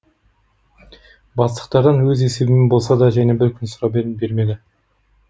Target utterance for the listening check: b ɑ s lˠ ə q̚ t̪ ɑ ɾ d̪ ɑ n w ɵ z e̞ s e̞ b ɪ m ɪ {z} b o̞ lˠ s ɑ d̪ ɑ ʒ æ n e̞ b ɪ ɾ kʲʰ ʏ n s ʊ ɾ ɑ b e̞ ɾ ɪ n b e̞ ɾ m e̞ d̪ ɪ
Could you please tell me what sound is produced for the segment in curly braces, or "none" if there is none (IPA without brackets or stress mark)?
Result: none